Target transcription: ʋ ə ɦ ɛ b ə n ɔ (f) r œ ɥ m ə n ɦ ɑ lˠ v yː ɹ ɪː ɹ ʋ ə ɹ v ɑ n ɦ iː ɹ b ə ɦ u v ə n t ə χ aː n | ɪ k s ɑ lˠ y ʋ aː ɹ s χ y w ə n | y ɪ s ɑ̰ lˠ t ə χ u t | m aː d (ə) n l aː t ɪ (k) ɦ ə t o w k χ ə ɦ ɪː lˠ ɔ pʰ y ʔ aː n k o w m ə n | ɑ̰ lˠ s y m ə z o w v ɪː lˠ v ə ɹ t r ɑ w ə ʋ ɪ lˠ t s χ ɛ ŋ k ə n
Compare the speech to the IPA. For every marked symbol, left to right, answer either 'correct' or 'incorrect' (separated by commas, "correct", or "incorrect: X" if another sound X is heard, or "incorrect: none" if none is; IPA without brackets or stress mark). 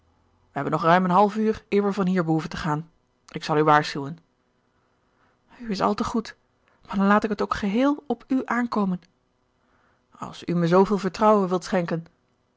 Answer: incorrect: χ, incorrect: ɑ, correct